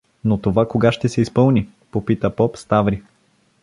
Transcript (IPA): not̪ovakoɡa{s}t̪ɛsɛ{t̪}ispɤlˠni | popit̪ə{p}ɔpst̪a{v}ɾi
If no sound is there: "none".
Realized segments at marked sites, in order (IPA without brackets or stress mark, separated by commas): ʃ, none, p, v